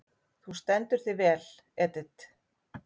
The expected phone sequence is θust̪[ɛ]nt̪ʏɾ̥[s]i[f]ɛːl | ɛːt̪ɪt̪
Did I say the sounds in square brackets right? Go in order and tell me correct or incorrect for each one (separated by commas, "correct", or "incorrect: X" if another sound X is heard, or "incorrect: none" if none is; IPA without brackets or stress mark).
correct, incorrect: θ, incorrect: v